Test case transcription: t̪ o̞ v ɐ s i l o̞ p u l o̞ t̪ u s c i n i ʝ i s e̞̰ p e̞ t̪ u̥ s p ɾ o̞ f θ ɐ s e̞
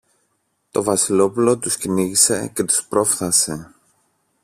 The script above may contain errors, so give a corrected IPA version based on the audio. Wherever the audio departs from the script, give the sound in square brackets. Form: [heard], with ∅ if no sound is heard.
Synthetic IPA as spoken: t̪ o̞ v ɐ s i l o̞ p u l o̞ t̪ u s c i n i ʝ i s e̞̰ [c] e̞ t̪ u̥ s p ɾ o̞ f θ ɐ s e̞